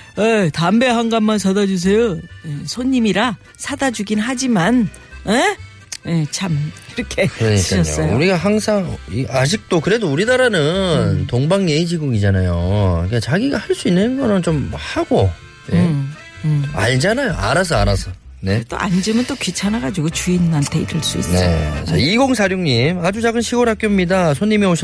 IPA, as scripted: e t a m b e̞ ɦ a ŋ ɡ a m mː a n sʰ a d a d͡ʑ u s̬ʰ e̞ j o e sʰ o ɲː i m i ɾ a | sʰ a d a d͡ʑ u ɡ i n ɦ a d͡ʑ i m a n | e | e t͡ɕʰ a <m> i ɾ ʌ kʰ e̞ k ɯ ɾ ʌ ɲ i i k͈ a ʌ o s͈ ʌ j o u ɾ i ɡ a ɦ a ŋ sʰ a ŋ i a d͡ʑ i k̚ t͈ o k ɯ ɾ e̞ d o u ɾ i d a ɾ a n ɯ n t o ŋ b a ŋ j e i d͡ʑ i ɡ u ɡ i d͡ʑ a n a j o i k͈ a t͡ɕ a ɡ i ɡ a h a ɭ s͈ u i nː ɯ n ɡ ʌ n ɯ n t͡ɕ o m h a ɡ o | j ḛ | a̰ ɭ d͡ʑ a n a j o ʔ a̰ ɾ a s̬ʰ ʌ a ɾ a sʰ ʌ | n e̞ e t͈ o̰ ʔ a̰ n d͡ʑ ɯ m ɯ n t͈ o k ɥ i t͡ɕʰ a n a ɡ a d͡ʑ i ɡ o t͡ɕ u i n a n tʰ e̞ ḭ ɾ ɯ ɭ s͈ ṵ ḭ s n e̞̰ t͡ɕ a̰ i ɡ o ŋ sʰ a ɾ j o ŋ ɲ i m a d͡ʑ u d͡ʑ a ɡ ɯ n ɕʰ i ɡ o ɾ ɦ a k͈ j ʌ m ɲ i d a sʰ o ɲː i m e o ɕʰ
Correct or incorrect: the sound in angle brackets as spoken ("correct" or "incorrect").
correct